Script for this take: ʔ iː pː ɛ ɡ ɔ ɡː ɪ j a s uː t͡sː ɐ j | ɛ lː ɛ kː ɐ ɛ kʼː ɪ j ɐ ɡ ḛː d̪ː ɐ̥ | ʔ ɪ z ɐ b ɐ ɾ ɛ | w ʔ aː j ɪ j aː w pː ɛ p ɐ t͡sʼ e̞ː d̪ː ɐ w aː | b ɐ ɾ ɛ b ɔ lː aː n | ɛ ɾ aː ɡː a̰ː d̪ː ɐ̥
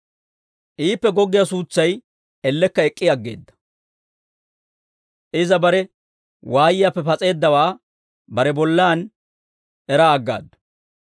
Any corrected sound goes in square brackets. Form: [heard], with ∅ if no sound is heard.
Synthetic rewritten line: ʔ iː pː ɛ ɡ ɔ ɡː ɪ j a s uː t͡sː ɐ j | ɛ lː ɛ kː ɐ ɛ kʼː ɪ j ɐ [ɡː] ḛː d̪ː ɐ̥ | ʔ ɪ z ɐ b ɐ ɾ ɛ | w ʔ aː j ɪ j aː [∅] pː ɛ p ɐ t͡sʼ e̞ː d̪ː ɐ w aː | b ɐ ɾ ɛ b ɔ lː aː n | ɛ ɾ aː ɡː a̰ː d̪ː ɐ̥